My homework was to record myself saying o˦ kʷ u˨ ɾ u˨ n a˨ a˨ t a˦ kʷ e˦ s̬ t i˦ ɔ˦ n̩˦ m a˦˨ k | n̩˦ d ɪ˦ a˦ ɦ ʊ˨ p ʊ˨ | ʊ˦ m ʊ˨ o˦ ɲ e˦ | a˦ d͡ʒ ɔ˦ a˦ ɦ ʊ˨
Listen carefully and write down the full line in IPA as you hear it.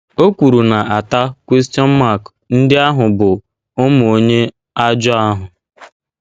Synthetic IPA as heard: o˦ kʷ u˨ ɾ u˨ n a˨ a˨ t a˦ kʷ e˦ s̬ t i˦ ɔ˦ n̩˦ m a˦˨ k | n̩˦ d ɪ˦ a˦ ɦ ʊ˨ b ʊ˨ | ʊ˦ m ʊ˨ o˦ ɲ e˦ | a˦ d͡ʒ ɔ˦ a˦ ɦ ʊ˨